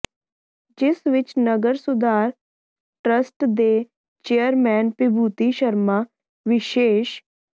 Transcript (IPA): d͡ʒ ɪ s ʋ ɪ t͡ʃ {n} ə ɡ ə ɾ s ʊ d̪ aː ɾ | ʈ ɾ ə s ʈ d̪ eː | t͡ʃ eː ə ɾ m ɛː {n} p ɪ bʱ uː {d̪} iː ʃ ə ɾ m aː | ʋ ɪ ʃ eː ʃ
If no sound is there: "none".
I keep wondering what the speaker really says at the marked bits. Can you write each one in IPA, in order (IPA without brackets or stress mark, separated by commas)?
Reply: n, n, t̪